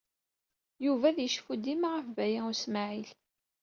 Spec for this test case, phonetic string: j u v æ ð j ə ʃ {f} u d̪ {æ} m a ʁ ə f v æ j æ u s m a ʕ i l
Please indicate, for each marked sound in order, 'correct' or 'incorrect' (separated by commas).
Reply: correct, incorrect